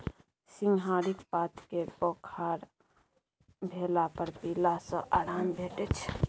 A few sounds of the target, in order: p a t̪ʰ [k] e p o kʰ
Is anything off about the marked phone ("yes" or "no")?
no